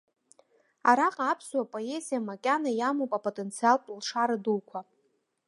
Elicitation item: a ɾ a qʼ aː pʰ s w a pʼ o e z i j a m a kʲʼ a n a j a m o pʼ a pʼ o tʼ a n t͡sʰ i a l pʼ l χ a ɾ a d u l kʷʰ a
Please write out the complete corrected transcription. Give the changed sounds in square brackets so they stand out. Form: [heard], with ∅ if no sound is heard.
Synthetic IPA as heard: a ɾ a qʼ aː pʰ s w a pʼ o e z i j a m a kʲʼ a n a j a m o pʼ a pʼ o tʼ [e] n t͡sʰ i a l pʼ l [ʂ] a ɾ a d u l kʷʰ a